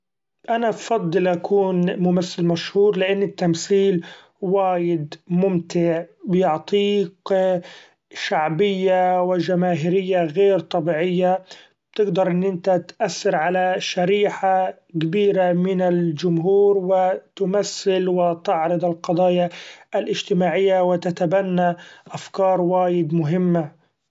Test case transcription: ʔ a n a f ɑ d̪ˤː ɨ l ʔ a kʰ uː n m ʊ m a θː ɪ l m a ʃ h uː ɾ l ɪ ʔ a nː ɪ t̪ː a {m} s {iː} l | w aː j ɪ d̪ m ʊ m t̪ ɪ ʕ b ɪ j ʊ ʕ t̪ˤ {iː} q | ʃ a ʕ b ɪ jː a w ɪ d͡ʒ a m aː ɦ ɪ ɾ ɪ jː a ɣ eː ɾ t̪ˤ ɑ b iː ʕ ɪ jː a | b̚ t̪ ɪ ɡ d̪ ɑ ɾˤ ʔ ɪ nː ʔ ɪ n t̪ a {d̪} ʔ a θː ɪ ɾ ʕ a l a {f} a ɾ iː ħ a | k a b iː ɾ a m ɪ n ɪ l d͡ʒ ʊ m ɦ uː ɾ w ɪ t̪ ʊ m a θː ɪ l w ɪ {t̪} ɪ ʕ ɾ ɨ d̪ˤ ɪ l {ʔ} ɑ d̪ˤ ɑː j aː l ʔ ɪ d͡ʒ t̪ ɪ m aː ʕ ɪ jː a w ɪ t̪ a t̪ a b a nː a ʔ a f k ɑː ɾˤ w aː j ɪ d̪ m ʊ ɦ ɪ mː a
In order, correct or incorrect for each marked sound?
correct, correct, correct, incorrect: t̪, incorrect: ʃ, correct, incorrect: q

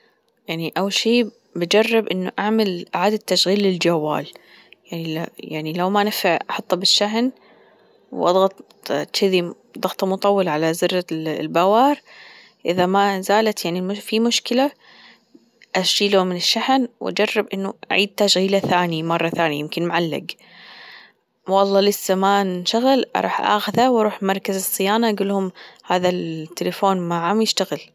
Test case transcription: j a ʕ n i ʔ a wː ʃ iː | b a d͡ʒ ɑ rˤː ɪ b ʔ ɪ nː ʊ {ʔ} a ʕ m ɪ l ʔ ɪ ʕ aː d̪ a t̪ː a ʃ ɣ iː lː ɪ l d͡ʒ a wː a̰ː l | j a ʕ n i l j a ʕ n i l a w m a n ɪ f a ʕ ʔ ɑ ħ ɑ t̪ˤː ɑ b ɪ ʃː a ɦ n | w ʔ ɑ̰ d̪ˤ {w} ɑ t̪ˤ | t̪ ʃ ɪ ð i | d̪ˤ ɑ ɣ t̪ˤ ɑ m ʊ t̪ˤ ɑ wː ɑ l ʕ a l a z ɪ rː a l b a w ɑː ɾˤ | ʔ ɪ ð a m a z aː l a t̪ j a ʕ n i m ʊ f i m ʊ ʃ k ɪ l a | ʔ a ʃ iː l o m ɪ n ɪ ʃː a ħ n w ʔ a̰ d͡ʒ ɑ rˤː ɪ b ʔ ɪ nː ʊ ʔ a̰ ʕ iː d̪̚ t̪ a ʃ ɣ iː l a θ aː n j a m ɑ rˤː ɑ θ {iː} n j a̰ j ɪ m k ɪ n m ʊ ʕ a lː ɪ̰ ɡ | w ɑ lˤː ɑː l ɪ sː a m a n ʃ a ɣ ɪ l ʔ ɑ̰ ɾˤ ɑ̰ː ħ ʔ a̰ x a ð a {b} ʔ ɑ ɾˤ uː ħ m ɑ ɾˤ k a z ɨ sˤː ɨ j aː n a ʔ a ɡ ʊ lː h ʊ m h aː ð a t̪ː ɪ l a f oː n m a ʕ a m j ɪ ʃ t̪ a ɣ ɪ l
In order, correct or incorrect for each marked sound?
correct, incorrect: ɣ, incorrect: aː, incorrect: w

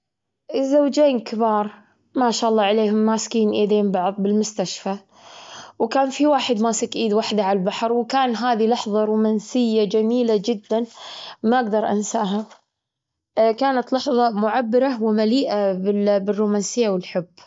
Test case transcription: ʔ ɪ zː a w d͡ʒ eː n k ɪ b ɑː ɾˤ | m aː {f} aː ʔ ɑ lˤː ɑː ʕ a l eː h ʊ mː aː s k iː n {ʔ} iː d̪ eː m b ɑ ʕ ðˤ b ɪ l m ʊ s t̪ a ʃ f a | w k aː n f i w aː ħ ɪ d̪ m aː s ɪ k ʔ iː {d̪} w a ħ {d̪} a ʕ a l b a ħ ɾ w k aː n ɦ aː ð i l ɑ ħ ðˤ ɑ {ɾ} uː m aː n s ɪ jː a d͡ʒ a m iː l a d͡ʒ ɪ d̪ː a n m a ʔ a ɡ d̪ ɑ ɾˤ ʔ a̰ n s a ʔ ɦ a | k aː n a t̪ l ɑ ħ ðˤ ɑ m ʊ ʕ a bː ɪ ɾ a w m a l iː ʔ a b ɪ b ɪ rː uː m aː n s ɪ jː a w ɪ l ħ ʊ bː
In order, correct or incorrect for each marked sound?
incorrect: ʃ, correct, correct, correct, correct

